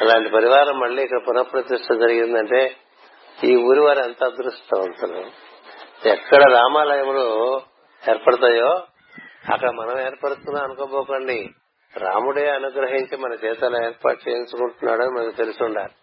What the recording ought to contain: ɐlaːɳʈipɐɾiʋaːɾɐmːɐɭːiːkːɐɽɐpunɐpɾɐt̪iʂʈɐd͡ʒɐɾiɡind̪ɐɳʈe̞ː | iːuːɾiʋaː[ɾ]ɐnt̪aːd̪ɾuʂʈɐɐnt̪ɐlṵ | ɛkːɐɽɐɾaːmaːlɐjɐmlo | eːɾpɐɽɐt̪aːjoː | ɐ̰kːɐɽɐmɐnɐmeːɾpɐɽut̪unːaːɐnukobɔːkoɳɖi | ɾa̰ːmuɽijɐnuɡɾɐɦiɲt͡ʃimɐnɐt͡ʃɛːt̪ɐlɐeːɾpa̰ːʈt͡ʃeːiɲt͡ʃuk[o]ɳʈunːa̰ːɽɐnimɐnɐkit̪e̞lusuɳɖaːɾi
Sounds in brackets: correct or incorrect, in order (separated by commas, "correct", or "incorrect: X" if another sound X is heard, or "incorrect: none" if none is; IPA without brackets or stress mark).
correct, incorrect: u